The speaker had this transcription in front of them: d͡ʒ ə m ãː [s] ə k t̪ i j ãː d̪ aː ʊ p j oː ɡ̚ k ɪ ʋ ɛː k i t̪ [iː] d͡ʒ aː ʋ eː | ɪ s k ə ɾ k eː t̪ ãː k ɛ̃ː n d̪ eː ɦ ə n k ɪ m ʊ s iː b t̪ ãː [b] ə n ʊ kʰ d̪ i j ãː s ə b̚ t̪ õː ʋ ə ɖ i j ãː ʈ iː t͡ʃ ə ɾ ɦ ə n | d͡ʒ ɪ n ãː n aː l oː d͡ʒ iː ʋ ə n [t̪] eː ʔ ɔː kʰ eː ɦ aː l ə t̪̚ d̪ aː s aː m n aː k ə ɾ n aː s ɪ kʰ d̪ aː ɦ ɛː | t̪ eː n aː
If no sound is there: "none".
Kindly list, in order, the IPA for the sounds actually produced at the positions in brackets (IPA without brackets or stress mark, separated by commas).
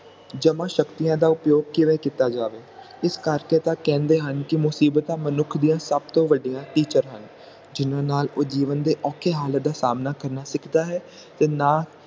ʃ, aː, m, d̪